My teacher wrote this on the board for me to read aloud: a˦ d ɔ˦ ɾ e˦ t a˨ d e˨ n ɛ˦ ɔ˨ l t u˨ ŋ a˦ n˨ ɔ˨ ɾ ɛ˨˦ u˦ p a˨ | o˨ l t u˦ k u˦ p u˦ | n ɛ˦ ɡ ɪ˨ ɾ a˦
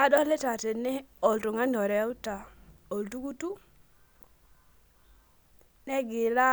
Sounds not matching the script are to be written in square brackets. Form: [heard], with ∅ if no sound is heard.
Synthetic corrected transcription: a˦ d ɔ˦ [l] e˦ t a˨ [t] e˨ n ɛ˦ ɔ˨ l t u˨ ŋ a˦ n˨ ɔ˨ ɾ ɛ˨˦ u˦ [t] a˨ | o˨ l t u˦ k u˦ [t] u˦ | n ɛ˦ ɡ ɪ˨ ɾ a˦